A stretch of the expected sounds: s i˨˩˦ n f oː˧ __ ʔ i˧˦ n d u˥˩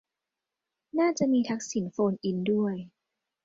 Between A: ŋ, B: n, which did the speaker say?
B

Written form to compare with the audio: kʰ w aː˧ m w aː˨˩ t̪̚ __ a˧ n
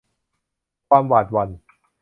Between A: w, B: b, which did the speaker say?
A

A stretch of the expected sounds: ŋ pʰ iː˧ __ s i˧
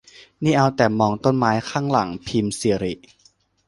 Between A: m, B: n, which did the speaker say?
A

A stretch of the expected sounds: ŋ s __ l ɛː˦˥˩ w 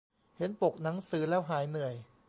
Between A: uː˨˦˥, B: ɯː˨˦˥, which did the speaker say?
B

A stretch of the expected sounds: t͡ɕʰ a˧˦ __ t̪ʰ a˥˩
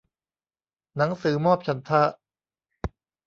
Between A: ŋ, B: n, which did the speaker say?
B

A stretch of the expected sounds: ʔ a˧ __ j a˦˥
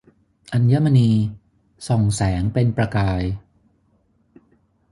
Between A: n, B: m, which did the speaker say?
A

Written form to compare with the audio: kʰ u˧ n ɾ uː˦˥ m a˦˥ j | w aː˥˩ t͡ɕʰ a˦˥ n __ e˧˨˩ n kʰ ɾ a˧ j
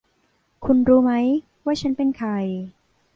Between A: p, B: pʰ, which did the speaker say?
A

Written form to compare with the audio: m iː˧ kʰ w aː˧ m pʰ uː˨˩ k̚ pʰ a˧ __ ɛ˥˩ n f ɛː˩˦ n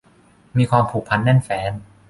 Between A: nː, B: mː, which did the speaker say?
A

